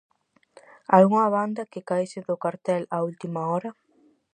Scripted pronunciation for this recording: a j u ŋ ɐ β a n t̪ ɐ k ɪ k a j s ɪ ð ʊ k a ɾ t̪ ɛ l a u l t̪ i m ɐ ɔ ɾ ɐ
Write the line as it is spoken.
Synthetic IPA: a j u ŋ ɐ β a n d̪ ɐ k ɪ k a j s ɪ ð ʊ k a ɾ t̪ ɛ l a u l t̪ i m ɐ ɔ ɾ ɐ

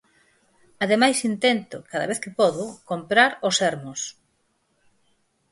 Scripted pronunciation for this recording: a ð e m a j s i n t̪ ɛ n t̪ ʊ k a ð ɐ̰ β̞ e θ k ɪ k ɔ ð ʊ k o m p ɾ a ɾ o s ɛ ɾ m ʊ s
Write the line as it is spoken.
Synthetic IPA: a ð e m a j s i n t̪ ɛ n t̪ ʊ k a ð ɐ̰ β̞ e θ k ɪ p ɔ ð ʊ k o m p ɾ a ɾ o s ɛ ɾ m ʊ s

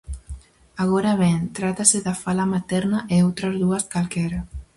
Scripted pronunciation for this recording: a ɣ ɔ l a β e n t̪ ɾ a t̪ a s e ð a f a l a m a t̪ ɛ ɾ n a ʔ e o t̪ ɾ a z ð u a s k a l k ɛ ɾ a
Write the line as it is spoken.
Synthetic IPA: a ɣ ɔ ɾ a β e n t̪ ɾ a t̪ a s e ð a f a l a m a t̪ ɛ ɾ n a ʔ e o t̪ ɾ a z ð u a s k a l k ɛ ɾ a

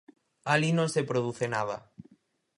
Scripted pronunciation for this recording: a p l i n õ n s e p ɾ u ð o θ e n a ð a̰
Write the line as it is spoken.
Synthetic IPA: a l i n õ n s e p ɾ o ð u θ e n a ð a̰

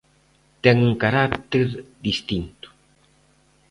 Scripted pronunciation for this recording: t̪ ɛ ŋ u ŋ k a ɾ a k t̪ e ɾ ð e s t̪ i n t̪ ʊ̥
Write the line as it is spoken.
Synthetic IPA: t̪ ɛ ŋ u ŋ k a ɾ a k t̪ e ɾ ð i s t̪ i n t̪ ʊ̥

